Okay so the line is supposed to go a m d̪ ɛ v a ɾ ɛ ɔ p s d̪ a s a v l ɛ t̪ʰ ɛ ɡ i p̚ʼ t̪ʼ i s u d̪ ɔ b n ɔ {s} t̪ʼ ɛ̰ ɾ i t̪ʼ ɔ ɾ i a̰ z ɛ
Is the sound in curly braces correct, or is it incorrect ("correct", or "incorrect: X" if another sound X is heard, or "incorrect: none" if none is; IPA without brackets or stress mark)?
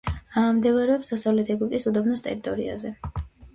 correct